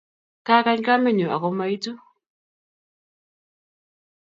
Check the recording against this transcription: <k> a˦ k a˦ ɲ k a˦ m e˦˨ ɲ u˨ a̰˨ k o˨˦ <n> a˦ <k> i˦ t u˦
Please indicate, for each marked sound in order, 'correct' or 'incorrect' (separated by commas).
correct, incorrect, incorrect